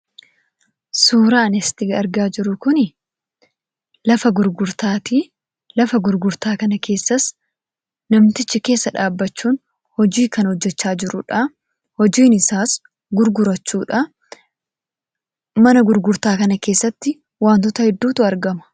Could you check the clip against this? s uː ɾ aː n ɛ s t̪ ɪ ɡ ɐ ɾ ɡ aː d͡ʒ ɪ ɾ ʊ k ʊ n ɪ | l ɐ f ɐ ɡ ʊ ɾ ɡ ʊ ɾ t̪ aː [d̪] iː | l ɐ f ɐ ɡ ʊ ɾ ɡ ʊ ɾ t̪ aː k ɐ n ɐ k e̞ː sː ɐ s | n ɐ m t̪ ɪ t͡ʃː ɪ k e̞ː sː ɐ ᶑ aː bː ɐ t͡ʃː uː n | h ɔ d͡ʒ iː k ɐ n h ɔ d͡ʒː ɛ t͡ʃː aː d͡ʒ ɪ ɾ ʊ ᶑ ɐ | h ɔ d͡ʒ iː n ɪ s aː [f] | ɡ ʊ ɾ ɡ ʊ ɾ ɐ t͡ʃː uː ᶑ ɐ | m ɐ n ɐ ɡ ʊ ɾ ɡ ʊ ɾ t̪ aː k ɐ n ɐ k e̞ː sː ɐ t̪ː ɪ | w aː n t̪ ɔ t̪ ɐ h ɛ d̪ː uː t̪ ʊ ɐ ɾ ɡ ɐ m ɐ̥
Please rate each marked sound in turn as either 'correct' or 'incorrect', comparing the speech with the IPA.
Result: incorrect, incorrect

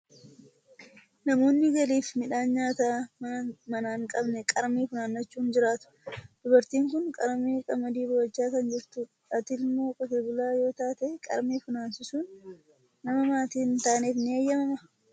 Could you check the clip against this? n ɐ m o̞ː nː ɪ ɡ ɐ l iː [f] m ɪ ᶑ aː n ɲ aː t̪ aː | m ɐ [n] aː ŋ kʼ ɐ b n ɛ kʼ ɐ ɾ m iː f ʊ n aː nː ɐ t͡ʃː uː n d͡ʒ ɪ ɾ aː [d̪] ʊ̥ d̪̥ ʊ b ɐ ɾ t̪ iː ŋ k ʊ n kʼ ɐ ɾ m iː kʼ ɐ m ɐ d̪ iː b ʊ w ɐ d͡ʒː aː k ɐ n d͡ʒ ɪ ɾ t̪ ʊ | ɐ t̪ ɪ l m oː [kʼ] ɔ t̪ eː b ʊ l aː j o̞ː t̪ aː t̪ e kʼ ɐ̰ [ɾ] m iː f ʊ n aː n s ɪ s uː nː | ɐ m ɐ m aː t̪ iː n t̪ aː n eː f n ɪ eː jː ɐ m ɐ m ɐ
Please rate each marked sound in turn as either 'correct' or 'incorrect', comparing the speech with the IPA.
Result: correct, correct, incorrect, correct, correct

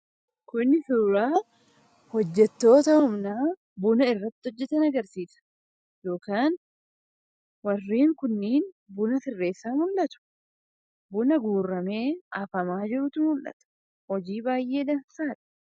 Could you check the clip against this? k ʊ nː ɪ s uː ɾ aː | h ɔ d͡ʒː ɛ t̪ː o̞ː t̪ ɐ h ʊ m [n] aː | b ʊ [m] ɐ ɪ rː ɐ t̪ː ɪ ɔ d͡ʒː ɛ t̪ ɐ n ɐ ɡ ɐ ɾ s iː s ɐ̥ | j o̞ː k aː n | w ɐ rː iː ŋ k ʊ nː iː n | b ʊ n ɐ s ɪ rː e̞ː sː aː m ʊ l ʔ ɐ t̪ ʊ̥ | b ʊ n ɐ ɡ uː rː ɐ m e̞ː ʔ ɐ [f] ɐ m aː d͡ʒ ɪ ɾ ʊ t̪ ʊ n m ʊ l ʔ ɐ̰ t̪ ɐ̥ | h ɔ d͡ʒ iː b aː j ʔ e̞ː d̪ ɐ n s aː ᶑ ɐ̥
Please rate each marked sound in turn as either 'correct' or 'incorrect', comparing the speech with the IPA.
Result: correct, incorrect, correct

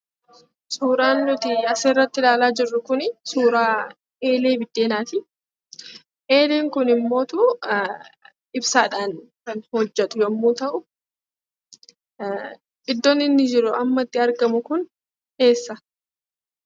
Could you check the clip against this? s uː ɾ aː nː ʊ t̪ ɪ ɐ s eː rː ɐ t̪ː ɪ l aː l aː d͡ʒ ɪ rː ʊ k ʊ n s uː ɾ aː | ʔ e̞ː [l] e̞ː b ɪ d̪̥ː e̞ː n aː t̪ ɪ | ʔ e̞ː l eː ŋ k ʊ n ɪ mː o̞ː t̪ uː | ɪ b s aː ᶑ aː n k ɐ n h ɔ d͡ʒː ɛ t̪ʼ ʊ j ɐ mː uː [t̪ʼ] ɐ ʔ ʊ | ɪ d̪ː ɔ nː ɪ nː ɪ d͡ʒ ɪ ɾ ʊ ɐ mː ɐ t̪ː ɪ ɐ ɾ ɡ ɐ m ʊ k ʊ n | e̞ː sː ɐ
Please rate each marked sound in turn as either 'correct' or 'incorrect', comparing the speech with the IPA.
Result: correct, incorrect

